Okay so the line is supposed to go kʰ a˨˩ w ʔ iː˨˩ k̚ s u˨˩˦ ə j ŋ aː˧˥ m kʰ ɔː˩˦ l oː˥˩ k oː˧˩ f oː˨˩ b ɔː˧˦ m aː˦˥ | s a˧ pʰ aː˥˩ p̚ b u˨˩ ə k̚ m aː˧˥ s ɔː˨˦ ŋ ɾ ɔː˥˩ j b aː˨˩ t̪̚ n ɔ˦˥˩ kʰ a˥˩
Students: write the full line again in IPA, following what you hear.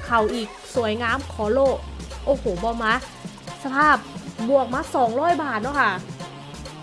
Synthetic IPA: kʰ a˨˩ w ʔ iː˨˩ k̚ s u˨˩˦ ə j ŋ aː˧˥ m kʰ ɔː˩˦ l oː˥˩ ʔ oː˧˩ h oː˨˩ b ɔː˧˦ m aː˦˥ | s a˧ pʰ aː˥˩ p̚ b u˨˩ ə k̚ m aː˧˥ s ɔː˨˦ ŋ ɾ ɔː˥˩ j b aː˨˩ t̪̚ n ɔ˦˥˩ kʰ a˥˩